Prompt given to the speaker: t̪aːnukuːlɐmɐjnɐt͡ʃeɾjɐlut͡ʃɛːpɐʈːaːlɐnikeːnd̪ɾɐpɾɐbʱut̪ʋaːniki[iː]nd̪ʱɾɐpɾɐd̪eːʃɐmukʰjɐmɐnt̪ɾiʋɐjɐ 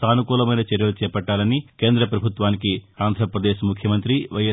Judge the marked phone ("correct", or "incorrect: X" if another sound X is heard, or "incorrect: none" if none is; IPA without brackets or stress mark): incorrect: aː